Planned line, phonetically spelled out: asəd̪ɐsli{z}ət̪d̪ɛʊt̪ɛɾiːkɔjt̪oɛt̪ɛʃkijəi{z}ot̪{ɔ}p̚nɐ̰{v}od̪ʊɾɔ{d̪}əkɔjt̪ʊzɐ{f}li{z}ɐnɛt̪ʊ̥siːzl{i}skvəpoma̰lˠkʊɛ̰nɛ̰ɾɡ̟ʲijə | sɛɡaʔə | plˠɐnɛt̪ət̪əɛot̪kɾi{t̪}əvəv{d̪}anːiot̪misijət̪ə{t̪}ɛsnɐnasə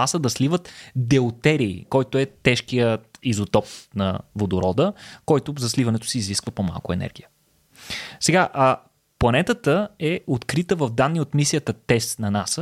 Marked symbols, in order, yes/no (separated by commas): no, yes, yes, yes, yes, no, no, yes, yes, yes, yes